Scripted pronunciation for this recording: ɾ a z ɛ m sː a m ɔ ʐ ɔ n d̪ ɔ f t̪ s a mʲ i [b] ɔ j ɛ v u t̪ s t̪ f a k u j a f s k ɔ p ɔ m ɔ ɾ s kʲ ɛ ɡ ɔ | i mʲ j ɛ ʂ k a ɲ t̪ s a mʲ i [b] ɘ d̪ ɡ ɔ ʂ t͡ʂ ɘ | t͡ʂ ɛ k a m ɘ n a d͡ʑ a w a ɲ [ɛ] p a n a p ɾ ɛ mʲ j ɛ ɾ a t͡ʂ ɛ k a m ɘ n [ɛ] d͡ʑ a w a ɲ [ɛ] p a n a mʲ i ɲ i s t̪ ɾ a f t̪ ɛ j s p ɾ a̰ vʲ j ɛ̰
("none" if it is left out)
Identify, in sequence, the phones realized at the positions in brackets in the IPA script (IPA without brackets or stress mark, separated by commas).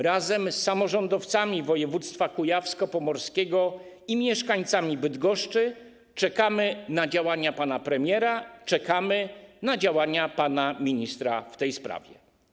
v, b, a, a, a